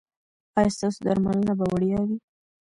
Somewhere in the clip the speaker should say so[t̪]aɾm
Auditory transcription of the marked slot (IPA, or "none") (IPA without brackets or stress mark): d̪